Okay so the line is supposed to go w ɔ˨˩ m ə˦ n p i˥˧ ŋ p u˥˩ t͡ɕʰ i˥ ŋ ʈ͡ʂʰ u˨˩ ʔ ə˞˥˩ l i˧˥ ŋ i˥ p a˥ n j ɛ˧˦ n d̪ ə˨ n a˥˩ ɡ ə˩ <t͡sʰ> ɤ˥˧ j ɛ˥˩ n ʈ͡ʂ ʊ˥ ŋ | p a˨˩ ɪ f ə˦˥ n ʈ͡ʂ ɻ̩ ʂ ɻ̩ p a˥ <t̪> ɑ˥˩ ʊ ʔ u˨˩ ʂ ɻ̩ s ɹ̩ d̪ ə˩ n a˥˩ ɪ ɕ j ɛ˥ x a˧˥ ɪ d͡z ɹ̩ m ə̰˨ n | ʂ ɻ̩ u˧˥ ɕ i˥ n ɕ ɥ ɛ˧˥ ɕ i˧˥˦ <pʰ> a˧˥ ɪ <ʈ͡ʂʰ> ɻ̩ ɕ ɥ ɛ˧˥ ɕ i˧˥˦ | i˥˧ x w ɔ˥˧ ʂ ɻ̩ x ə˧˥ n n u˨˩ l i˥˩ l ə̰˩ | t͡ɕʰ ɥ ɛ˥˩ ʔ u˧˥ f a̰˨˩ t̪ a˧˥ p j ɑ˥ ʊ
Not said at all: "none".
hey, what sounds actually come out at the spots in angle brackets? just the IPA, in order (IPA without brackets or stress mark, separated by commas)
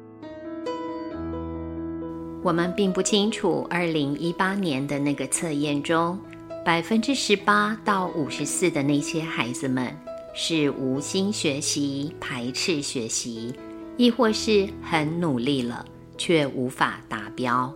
t͡sʰ, t̪, pʰ, ʈ͡ʂʰ